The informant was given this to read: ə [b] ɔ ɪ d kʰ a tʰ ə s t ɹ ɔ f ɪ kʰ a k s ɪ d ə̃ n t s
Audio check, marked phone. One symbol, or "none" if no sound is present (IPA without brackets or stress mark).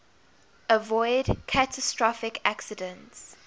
v